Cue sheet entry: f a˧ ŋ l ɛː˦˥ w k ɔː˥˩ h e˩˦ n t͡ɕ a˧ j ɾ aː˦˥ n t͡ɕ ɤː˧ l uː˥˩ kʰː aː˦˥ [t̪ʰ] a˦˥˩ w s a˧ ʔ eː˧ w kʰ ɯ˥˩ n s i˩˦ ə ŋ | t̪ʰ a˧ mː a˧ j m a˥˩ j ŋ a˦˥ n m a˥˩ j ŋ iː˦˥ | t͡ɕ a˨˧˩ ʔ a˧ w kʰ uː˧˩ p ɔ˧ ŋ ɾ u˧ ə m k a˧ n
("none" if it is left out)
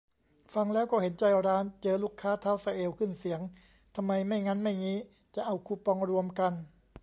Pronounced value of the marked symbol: t̪ʰ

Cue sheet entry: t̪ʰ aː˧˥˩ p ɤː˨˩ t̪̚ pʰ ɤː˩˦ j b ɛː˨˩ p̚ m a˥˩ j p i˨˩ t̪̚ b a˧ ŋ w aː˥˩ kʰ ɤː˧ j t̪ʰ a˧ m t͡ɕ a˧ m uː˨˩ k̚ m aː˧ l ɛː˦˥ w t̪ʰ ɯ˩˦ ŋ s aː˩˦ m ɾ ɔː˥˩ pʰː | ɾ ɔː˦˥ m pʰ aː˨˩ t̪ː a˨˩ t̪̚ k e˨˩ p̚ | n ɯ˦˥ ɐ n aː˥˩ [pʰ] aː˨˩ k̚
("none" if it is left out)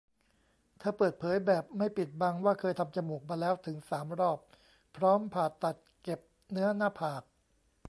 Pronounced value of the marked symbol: pʰ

